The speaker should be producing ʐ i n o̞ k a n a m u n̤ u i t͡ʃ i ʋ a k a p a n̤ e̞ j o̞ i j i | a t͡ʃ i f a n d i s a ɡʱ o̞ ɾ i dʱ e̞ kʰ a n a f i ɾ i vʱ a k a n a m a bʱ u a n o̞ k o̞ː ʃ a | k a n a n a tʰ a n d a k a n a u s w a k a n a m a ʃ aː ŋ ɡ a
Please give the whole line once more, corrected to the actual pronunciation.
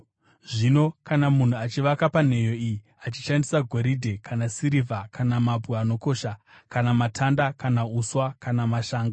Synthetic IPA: ʐ i n o̞ k a n a m u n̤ u a t͡ʃ i ʋ a k a p a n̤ e̞ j o̞ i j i | a t͡ʃ i ʃ a n d i s a ɡʱ o̞ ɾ i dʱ e̞ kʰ a n a s i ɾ i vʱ a k a n a m a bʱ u a n o̞ k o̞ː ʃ a | k a n a m a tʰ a n d a k a n a u s w a k a n a m a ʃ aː ŋ ɡ a

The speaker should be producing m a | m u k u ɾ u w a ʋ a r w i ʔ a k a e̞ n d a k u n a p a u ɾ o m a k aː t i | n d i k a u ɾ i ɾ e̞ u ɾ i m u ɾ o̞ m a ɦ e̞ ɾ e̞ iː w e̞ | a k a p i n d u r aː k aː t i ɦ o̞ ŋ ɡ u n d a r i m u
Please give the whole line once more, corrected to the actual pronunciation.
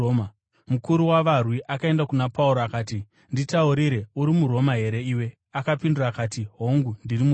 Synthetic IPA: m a | m u k u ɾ u w a ʋ a r w i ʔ a k a e̞ n d a k u n a p a u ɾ o a k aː t i | n d i t a u ɾ i ɾ e̞ u ɾ i m u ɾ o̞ m a ɦ e̞ ɾ e̞ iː w e̞ | a k a p i n d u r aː k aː t i ɦ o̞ ŋ ɡ u n d i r i m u

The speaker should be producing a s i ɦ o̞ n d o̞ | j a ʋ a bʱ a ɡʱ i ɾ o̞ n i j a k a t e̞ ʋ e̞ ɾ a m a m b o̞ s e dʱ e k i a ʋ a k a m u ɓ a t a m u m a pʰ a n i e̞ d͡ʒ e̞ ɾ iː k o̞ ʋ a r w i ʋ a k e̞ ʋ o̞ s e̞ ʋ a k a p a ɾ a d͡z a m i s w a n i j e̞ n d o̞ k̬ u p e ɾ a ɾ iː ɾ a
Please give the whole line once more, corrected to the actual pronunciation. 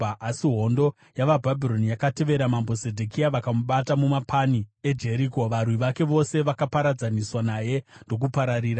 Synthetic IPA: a s i ɦ o̞ n d o̞ | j a ʋ a bʱ a bʱ i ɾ o̞ n i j a k a t e̞ ʋ e̞ ɾ a m a m b o̞ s e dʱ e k i a ʋ a k a m u ɓ a t a m u m a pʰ a n i e̞ d͡ʒ e̞ ɾ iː k o̞ ʋ a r w i ʋ a k e̞ ʋ o̞ s e̞ ʋ a k a p a ɾ a d͡z a n i s w a n a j e̞ n d o̞ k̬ u p a ɾ a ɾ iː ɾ a

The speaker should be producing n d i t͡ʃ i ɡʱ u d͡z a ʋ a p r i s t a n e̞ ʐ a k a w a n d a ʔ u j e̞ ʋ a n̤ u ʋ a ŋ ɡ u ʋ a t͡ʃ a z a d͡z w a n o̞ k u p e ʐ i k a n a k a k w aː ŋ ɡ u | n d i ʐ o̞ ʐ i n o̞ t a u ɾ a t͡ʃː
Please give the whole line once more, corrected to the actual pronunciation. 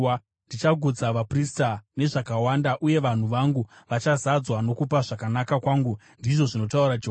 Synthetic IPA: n d i t͡ʃ a ɡʱ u d͡z a ʋ a p r i s t a n e̞ ʐ a k a w a n d a ʔ u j e̞ ʋ a n̤ u ʋ a ŋ ɡ u ʋ a t͡ʃ a z a d͡z w a n o̞ k u p a ʐ a k a n a k a k w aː ŋ ɡ u | n d i ʐ o̞ ʐ i n o̞ t a u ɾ a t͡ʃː

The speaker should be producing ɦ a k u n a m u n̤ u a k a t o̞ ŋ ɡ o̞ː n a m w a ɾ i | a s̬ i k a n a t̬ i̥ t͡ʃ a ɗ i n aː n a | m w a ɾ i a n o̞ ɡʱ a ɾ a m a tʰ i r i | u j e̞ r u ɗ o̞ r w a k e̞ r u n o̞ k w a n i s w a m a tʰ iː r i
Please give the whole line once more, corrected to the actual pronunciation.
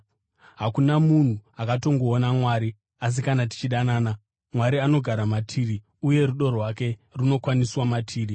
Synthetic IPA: ɦ a k u n a m u n̤ u a k a t o̞ ŋ ɡ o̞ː n a m w a ɾ i | a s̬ i k a n a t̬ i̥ t͡ʃ i ɗ a n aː n a | m w a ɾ i a n o̞ ɡʱ a ɾ a m a tʰ i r i | u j e̞ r u ɗ o̞ r w a k e̞ r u n o̞ k w a n i s w a m a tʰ iː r i

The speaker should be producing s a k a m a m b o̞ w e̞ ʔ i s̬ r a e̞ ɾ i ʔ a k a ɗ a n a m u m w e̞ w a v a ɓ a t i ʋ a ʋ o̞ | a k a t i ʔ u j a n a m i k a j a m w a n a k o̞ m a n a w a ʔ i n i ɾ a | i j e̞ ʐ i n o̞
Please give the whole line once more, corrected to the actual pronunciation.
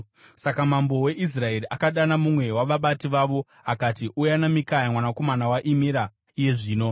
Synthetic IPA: s a k a m a m b o̞ w e̞ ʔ i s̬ r a e̞ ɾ i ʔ a k a ɗ a n a m u m w e̞ w a ʋ a ɓ a t i ʋ a ʋ o̞ | a k a t i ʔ u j a n a m i k a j a m w a n a k o̞ m a n a w a ʔ i m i ɾ a | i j e̞ ʐ iː n o̞

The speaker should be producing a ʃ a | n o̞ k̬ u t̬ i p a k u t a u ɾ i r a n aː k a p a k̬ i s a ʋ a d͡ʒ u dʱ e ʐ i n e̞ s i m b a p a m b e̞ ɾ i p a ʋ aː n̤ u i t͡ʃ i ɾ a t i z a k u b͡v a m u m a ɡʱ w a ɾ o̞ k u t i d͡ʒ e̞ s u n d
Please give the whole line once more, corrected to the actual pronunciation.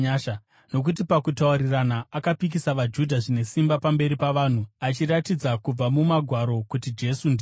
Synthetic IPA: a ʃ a | n o̞ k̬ u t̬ i p a k u t a u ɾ i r a n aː k a p i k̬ i s a ʋ a d͡ʒ u dʱ a ʐ i n e̞ s i m b a p a m b e̞ ɾ i p a ʋ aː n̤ u a t͡ʃ i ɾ a t i d͡z a k u b͡v a m u m a ɡʱ w a ɾ o̞ k u t i d͡ʒ e̞ s u n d

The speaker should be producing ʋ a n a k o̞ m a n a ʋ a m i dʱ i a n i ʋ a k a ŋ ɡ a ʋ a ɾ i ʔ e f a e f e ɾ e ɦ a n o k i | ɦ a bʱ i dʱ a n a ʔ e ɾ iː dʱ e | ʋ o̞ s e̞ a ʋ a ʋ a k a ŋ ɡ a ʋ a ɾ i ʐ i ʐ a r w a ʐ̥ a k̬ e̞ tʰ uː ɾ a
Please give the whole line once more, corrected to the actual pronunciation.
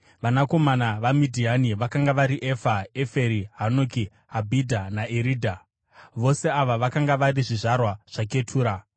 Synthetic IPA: ʋ a n a k o̞ m a n a ʋ a m i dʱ i a n i ʋ a k a ŋ ɡ a ʋ a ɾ i ʔ e f a e f e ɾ i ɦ a n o k i | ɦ a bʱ i dʱ a n a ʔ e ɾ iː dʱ a | ʋ o̞ s e̞ a ʋ a ʋ a k a ŋ ɡ a ʋ a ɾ i ʐ i ʐ a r w a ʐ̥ a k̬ e̞ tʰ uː ɾ a

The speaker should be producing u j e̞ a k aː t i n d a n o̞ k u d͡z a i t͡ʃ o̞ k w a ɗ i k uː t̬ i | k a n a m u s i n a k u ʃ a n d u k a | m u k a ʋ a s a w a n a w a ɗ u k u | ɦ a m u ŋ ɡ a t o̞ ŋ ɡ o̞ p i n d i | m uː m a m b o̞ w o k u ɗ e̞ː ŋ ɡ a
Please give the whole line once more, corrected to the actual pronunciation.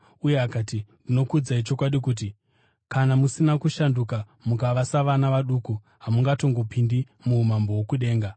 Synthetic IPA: u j e̞ a k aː t i n d i n o̞ k u d͡z a i t͡ʃ o̞ k w a ɗ i k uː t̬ i | k a n a m u s i n a k u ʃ a n d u k a | m u k a ʋ a s a ʋ a n a ʋ a ɗ u k u | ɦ a m u ŋ ɡ a t o̞ ŋ ɡ o̞ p i n d i | m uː m a m b o̞ w o k u ɗ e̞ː ŋ ɡ a

